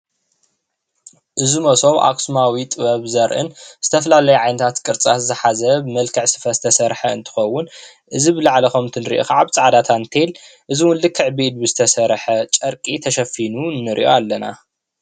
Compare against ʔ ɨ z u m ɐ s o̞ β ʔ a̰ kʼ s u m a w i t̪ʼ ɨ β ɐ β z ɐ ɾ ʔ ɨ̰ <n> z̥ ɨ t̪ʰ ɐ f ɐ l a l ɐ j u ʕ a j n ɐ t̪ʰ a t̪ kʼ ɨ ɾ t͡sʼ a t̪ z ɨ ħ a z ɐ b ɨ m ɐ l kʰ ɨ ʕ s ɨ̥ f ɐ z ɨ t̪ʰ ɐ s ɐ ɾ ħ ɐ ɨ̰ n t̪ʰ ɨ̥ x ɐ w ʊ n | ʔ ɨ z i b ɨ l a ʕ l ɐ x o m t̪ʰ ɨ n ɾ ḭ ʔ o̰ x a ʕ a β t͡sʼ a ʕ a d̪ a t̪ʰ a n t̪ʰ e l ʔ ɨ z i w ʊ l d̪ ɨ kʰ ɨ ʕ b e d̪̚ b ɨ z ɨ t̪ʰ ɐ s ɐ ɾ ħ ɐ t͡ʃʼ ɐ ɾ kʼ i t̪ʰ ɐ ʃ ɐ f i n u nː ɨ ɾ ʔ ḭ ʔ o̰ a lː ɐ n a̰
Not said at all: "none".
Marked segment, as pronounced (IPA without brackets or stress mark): n